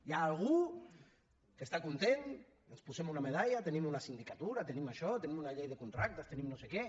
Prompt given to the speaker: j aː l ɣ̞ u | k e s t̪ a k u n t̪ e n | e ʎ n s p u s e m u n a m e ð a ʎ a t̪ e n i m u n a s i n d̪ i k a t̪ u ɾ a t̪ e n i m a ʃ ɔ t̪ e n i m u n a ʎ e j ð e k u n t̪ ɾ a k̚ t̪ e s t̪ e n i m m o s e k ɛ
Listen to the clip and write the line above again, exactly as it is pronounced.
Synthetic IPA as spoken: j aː l ɣ̞ u | k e s t̪ a k u n t̪ e n | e n s p u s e m u n a m e ð a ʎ a t̪ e n i m u n a s i n d̪ i k a t̪ u ɾ a t̪ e n i m a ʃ ɔ t̪ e n i m u n a ʎ e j ð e k u n t̪ ɾ a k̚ t̪ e s t̪ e n i m n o s e k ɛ